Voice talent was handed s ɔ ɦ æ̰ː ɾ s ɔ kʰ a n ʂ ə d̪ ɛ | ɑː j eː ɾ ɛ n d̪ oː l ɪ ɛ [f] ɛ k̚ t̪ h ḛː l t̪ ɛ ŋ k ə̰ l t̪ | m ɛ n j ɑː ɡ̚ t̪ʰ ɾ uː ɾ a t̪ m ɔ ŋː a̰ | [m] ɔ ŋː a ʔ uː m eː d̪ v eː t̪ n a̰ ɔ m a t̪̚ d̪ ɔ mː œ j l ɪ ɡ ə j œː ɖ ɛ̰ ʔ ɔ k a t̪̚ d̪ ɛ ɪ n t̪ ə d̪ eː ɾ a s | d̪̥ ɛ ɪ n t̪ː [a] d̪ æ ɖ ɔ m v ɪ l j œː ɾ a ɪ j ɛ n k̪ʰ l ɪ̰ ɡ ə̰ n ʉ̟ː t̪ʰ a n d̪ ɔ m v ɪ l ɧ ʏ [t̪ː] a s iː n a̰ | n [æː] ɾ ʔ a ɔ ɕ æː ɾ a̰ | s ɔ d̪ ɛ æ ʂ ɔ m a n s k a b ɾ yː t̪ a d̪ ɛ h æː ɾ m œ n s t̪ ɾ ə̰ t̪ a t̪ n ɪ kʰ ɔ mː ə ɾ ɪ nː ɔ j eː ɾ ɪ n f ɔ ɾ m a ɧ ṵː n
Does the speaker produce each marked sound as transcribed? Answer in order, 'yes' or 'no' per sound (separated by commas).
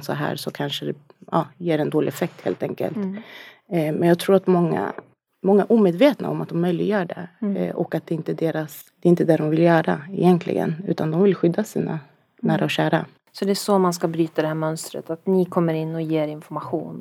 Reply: yes, yes, no, no, yes